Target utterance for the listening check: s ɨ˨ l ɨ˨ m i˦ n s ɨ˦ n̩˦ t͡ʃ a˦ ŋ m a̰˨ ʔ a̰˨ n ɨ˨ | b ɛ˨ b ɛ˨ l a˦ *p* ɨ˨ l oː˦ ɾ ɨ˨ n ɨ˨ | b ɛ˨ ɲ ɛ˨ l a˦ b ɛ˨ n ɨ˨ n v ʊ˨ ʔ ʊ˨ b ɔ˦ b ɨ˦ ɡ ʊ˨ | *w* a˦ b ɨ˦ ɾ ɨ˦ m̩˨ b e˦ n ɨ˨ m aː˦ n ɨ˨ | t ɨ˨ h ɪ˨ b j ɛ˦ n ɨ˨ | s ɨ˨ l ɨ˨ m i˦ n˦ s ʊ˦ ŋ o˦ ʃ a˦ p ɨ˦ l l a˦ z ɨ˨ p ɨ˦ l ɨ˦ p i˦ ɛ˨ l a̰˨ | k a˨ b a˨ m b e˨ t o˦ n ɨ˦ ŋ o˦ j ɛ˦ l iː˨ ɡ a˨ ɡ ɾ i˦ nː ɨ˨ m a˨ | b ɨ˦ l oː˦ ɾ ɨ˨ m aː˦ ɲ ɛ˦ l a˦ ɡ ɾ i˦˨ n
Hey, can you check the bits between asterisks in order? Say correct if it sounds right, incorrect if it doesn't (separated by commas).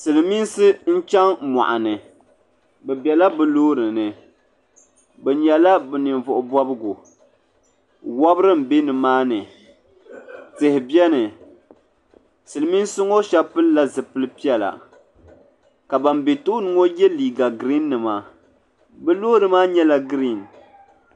incorrect, correct